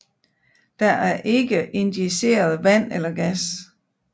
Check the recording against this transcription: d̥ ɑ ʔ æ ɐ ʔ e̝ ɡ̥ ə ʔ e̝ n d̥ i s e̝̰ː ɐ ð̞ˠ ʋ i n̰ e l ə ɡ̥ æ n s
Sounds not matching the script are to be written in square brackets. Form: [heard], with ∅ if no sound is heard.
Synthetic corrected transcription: d̥ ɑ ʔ æ ɐ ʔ e̝ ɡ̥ ə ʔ e̝ n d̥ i s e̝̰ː ɐ ð̞ˠ ʋ [æ] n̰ e l [ɐ] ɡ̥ æ [∅] s